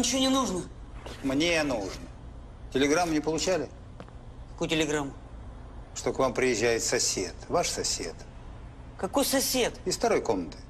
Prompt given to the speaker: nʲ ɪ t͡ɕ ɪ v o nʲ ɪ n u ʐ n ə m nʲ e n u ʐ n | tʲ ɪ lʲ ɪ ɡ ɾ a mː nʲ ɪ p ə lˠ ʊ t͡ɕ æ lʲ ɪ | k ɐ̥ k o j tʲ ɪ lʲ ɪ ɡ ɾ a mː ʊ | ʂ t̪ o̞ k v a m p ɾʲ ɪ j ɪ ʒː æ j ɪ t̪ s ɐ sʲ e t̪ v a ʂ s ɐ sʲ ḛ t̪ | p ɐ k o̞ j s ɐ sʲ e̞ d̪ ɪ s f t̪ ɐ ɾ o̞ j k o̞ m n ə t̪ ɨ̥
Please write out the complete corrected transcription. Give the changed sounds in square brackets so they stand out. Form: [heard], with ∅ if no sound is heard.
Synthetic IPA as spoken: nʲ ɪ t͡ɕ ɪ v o nʲ ɪ n u ʐ n ə m nʲ e n u ʐ n | tʲ ɪ lʲ ɪ ɡ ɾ a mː nʲ ɪ p ə lˠ ʊ t͡ɕ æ lʲ ɪ | k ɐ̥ k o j tʲ ɪ lʲ ɪ ɡ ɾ a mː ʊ | ʂ t̪ o̞ k v a m p ɾʲ ɪ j ɪ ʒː æ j ɪ t̪ s ɐ sʲ e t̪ v a ʂ s ɐ sʲ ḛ t̪ | [k] ɐ k o̞ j s ɐ sʲ e̞ [t̪] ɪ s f t̪ ɐ ɾ o̞ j k o̞ m n ə t̪ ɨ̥

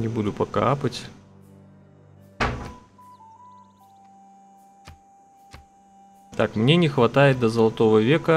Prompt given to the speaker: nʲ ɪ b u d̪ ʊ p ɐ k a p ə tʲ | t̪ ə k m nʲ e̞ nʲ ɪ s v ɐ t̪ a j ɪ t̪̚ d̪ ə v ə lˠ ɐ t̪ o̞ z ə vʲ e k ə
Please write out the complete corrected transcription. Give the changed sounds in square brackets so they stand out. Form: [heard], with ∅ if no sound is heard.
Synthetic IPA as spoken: nʲ ɪ b u d̪ ʊ p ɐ k a p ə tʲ | t̪ [a] k m nʲ e̞ nʲ ɪ [x] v ɐ t̪ a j ɪ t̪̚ d̪ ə [z] ə lˠ ɐ t̪ o̞ [v] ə vʲ e k ə

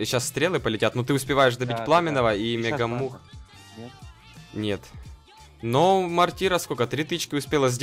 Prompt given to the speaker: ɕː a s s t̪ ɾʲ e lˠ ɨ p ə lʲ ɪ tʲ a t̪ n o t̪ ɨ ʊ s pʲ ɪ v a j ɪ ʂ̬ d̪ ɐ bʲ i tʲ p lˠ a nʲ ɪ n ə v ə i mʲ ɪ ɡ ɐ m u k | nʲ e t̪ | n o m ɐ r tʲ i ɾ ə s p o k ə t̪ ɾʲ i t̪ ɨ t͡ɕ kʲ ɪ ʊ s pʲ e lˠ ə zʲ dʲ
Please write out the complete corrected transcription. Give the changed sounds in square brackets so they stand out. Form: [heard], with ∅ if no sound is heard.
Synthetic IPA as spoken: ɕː a s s t̪ ɾʲ e lˠ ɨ p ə lʲ ɪ tʲ a t̪ n o t̪ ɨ ʊ s pʲ ɪ v a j ɪ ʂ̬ d̪ ɐ bʲ i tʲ p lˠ a [mʲ] ɪ n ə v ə i mʲ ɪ ɡ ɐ m u [x] | nʲ e t̪ | n o m ɐ r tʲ i ɾ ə s [k] o k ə t̪ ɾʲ i t̪ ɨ t͡ɕ kʲ ɪ ʊ s pʲ e lˠ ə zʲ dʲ

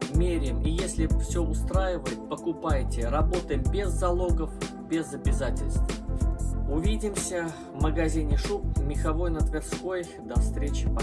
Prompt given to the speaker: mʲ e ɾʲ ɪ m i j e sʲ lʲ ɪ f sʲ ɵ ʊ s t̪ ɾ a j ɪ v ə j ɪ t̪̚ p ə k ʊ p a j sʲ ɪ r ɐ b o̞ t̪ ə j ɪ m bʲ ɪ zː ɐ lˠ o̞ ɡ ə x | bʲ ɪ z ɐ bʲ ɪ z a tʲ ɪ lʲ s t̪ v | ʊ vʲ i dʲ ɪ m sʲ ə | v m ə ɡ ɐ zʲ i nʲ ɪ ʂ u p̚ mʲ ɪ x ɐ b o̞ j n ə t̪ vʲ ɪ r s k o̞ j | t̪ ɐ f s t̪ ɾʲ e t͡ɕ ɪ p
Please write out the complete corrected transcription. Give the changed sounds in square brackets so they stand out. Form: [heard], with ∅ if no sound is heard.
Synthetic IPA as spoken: mʲ e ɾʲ ɪ m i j e sʲ lʲ ɪ f sʲ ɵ ʊ s t̪ ɾ a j ɪ v ə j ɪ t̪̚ p ə k ʊ p a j [tʲ] ɪ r ɐ b o̞ t̪ ə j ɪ m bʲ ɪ zː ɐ lˠ o̞ ɡ ə [f] | bʲ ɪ z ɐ bʲ ɪ z a tʲ ɪ lʲ s t̪ v | ʊ vʲ i dʲ ɪ m sʲ ə | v m ə ɡ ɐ zʲ i nʲ ɪ ʂ u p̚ mʲ ɪ x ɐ [v] o̞ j n ə t̪ vʲ ɪ r s k o̞ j | [d̪] ɐ f s t̪ ɾʲ e t͡ɕ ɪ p

